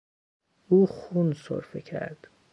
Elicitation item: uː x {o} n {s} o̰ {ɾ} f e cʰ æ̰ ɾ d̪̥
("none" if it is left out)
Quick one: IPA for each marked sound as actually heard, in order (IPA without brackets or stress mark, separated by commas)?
u, s, ɾ